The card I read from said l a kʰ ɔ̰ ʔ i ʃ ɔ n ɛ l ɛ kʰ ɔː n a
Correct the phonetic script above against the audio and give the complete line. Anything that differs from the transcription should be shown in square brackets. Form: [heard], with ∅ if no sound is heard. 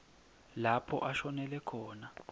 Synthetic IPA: l a [pʰ] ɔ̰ ʔ [a] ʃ ɔ n ɛ l ɛ kʰ ɔː n a